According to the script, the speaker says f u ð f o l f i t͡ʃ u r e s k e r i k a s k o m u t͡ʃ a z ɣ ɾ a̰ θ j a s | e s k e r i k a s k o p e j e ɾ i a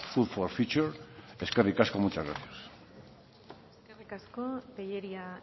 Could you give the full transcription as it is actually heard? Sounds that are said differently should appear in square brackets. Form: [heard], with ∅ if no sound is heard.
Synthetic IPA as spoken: f u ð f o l f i t͡ʃ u [ɾ] e s k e r i k a s k o m u t͡ʃ a z ɣ ɾ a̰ θ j a s | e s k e r i k a s k o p e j e ɾ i a